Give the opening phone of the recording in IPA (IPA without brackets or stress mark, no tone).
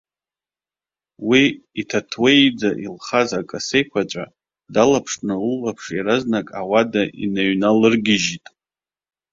w